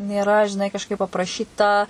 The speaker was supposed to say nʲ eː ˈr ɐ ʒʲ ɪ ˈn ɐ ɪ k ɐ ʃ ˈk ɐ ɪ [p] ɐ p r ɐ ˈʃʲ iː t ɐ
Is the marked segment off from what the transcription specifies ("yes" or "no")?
no